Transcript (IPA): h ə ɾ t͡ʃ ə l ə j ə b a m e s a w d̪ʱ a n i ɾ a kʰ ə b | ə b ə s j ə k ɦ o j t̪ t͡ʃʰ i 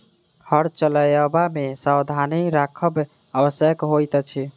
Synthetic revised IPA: h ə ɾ t͡ʃ ə l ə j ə b a m e s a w d̪ʱ a n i ɾ a kʰ ə b | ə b ə s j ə k ɦ o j t̪ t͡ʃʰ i